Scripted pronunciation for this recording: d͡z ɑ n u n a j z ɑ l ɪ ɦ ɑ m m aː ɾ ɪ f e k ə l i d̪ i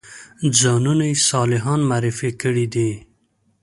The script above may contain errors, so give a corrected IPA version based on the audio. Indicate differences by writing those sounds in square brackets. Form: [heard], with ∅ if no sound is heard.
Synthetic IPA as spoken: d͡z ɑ n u n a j [s] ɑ l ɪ ɦ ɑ [n] m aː ɾ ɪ f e k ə [ɽ] i d̪ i

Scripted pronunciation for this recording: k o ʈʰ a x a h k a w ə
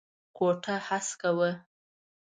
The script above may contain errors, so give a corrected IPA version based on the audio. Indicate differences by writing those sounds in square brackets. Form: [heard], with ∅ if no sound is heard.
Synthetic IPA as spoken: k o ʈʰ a [h] a [s] k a w ə

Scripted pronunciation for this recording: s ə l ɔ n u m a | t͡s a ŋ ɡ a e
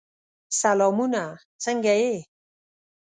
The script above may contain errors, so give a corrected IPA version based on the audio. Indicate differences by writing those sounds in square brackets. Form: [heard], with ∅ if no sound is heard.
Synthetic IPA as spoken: s [a] l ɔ [m] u [n] a | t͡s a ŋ ɡ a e

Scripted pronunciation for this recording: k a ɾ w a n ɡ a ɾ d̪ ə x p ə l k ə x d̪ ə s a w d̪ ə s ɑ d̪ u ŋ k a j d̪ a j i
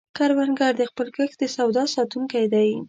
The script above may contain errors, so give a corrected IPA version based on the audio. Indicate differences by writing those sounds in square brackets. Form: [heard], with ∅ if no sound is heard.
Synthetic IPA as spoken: k a ɾ w a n ɡ a ɾ d̪ ə x p ə l k ə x d̪ ə s a w d̪ [ɑ] s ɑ [t̪] u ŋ k a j d̪ a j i

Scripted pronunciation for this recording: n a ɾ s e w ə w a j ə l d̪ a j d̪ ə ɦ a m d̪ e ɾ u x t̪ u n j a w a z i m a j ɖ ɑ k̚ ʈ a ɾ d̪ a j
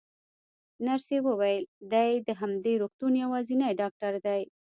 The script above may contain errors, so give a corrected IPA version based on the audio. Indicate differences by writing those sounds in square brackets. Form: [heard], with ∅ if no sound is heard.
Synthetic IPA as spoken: n a ɾ s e w ə w a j ə l d̪ a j d̪ ə ɦ a m d̪ e ɾ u x t̪ u n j a w [ɑ] z i [n] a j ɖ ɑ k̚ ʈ a ɾ d̪ a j

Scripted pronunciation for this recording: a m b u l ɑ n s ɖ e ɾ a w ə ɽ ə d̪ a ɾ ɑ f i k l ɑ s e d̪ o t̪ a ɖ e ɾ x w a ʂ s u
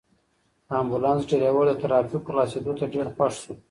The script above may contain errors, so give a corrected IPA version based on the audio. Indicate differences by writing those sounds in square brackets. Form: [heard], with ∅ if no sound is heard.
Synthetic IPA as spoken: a m b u l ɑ n s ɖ e ɾ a w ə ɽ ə [t̪] a ɾ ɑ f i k l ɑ s e d̪ o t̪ a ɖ e ɾ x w a ʂ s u

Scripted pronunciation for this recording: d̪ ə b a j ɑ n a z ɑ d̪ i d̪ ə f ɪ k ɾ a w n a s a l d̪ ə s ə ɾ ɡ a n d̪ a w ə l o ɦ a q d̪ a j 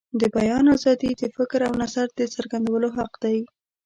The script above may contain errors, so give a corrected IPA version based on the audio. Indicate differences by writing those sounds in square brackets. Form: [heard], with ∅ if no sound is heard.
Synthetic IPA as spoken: d̪ ə b a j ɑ n a z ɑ d̪ i d̪ ə f ɪ k ɾ a w n a [z] a [ɾ] d̪ ə s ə ɾ ɡ a n d̪ a w ə l o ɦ a q d̪ a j

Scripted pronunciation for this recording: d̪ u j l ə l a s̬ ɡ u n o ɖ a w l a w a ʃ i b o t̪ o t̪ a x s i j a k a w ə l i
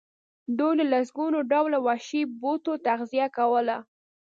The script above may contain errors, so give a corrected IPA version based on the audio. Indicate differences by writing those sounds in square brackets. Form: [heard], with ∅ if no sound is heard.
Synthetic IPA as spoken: d̪ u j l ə l a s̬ ɡ u n o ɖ a w l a w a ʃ i b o t̪ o t̪ a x [z] i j a k a w ə l [a]

